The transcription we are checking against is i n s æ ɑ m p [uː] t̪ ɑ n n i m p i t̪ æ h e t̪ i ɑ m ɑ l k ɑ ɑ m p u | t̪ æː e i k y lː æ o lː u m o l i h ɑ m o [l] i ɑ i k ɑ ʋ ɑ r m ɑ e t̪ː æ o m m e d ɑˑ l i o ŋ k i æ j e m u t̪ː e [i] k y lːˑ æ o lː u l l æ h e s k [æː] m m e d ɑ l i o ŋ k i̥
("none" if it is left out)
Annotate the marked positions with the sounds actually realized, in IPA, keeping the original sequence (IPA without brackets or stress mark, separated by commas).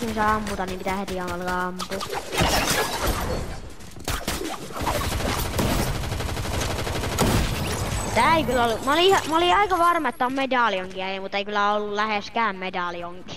u, l, i, æː